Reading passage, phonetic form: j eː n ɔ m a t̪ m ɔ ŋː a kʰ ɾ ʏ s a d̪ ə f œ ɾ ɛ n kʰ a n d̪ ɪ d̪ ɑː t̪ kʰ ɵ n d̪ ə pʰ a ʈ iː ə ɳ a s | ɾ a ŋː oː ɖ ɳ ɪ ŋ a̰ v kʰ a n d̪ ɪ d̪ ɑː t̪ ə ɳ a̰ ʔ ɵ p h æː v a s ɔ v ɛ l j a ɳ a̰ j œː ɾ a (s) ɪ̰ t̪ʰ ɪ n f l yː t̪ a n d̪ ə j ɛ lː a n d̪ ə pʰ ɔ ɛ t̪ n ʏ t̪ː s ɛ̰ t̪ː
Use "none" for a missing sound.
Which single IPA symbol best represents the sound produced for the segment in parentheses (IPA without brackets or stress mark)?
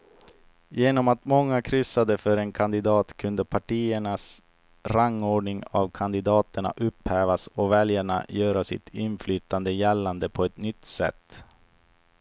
s